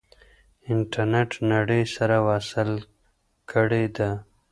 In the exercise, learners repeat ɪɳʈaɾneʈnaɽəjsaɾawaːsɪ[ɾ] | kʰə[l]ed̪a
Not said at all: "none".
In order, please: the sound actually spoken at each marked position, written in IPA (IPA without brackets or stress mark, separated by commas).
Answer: l, ɽ